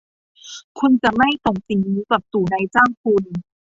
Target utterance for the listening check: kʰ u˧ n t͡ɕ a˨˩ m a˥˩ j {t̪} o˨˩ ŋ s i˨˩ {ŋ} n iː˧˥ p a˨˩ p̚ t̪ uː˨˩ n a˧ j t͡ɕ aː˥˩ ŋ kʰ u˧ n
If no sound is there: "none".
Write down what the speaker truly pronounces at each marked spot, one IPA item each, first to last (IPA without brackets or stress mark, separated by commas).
t̪, ŋ